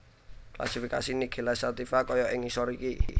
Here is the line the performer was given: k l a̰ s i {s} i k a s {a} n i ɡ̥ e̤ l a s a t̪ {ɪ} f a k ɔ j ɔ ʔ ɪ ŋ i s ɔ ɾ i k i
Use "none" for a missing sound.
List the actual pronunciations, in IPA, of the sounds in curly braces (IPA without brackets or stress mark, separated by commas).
f, i, i